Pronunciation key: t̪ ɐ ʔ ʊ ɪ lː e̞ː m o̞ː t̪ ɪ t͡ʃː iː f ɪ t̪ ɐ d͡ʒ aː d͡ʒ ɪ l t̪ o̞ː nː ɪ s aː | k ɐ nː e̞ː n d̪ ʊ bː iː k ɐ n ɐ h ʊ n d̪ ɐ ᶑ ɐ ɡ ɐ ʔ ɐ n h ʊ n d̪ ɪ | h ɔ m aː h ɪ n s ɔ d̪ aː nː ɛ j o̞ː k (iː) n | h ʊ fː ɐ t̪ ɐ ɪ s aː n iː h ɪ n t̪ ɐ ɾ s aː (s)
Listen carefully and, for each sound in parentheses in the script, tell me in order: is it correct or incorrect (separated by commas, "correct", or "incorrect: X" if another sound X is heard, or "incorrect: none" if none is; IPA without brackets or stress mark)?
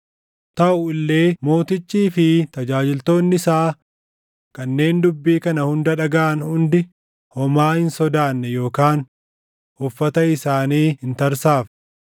incorrect: aː, incorrect: f